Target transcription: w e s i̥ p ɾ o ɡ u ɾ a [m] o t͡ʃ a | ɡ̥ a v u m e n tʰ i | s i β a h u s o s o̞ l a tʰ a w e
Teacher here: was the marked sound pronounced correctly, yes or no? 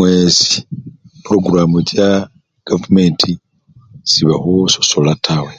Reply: yes